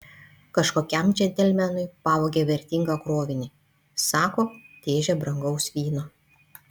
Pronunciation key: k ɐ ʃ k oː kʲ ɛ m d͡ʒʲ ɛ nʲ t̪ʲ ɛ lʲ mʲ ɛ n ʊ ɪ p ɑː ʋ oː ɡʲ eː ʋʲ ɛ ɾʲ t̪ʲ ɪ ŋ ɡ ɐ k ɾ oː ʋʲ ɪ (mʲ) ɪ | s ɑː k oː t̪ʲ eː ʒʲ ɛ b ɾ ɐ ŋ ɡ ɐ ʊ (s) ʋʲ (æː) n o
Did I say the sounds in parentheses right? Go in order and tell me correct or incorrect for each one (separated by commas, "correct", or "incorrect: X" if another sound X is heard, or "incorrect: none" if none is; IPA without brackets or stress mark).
incorrect: nʲ, correct, incorrect: iː